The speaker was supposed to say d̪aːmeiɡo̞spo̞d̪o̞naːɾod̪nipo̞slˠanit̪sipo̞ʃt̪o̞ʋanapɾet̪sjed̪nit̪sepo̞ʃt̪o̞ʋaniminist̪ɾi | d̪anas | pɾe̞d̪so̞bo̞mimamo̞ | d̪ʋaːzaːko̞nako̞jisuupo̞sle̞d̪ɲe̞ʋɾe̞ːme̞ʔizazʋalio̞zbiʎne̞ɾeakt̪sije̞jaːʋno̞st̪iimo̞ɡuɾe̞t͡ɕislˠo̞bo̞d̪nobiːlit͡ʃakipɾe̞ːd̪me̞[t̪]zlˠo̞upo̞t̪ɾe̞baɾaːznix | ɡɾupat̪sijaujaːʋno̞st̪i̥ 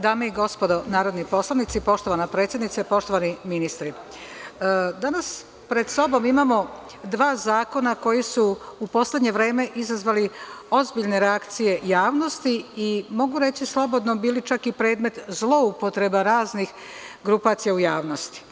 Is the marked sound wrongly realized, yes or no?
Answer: no